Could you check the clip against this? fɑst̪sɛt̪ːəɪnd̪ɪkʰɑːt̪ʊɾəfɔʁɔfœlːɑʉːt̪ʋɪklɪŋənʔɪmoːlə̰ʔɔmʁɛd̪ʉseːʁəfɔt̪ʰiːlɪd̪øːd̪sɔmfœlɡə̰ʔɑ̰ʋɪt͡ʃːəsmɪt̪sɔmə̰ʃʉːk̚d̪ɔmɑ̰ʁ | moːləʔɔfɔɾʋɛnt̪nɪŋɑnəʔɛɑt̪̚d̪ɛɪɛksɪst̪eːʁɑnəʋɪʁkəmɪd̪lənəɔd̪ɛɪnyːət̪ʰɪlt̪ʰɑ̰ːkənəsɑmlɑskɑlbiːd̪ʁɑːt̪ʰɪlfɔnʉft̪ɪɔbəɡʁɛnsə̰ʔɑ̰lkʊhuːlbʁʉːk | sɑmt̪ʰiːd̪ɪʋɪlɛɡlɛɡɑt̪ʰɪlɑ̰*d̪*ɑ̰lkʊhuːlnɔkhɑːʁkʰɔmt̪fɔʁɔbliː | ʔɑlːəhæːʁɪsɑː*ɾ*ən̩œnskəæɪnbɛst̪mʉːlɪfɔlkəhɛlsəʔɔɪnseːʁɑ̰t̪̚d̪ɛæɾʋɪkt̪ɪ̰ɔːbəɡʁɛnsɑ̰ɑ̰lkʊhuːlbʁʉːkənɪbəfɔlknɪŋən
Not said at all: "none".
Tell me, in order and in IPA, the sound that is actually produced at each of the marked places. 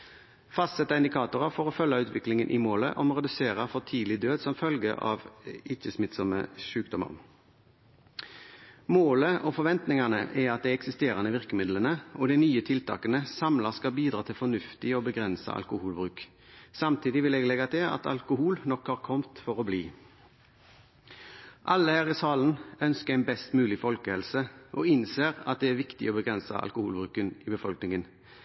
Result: t̪, l

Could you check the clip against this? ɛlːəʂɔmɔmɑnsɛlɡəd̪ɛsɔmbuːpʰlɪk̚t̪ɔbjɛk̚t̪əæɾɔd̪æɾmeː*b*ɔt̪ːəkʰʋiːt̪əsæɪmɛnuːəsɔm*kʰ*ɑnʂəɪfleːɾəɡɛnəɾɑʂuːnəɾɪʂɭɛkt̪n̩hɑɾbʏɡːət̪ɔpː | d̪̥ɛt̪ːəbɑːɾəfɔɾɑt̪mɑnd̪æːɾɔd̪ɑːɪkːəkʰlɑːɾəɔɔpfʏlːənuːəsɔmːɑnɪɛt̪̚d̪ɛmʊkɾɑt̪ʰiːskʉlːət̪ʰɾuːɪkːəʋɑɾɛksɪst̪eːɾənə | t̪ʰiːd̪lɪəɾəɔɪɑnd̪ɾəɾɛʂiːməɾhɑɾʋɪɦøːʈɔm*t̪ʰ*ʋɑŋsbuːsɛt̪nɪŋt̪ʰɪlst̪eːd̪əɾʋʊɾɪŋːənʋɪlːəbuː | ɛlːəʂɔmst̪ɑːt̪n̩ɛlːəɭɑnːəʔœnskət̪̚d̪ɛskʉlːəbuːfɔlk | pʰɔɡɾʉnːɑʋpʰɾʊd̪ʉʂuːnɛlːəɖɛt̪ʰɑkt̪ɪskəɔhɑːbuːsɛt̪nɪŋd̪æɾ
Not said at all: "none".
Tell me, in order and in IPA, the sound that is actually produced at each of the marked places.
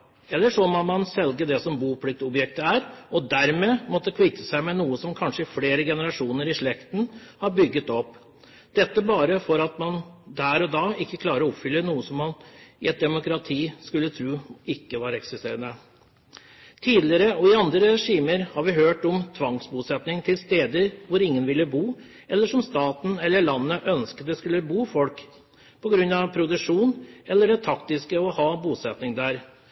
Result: m, kʰ, t̪ʰ

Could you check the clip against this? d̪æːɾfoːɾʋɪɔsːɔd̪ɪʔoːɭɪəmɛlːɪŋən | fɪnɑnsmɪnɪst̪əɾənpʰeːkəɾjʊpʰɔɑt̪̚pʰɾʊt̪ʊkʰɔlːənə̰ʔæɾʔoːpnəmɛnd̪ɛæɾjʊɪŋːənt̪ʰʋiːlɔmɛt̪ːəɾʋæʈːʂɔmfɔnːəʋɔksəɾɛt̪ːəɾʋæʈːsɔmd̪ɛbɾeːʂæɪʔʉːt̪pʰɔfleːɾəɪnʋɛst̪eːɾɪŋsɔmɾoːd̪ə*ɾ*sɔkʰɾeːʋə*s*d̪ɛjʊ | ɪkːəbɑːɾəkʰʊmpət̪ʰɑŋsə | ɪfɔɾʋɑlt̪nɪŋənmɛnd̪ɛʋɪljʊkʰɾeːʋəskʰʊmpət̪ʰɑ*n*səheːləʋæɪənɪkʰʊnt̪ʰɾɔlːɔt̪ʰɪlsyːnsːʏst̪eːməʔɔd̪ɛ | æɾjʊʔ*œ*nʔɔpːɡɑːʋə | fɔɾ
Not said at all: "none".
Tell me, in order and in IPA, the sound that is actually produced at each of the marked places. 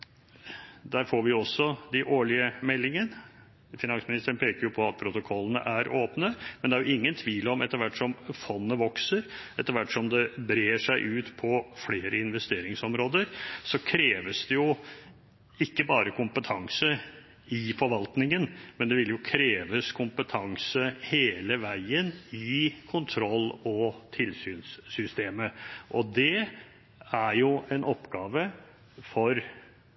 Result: ɾ, s, ŋ, ɛ

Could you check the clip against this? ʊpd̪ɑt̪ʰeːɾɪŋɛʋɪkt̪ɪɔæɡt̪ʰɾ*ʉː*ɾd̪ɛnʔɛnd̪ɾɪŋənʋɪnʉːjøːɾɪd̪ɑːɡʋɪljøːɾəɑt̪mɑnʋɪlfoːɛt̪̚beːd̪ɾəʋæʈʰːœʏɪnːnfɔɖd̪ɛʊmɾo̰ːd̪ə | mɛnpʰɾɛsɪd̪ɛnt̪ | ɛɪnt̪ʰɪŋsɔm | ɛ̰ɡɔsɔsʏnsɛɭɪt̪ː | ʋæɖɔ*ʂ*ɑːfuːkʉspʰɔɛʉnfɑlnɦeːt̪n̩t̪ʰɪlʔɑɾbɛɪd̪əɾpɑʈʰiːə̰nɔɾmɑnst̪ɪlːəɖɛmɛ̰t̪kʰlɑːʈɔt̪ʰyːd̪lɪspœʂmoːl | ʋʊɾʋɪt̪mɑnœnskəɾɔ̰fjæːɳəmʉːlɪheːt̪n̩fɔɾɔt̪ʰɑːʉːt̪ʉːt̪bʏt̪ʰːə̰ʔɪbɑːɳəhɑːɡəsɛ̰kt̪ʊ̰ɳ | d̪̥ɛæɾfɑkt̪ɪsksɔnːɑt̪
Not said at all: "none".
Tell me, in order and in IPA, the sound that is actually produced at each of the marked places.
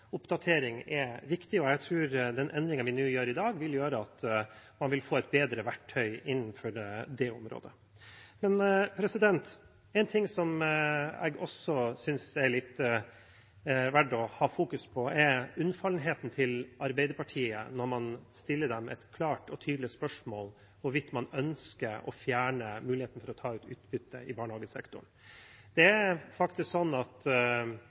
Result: ʉː, h

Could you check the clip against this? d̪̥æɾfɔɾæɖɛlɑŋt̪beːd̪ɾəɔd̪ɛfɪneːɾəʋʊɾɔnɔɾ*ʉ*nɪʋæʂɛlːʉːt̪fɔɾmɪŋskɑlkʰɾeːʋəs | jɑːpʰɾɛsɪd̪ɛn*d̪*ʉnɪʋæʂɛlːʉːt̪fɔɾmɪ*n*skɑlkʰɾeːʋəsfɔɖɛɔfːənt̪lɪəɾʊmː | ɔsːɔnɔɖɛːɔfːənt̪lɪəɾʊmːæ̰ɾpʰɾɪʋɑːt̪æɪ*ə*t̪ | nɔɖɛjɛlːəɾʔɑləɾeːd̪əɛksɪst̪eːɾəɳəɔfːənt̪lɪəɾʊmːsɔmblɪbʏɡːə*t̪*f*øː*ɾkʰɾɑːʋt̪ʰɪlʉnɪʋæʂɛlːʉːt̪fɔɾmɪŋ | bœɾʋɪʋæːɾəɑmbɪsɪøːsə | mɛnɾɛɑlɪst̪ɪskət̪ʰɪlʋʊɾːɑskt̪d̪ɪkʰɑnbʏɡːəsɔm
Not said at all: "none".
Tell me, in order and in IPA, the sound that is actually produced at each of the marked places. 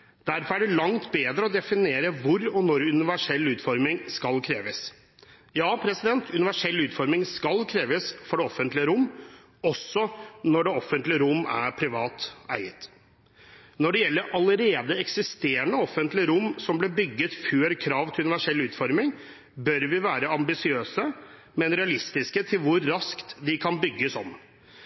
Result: ʉ, t̪, ŋ, ə, t̪, øː

